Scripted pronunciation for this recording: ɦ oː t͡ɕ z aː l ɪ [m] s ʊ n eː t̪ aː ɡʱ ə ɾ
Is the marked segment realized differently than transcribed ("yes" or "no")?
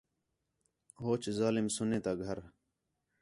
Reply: no